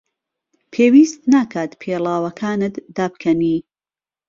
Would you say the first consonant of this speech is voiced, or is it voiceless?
voiceless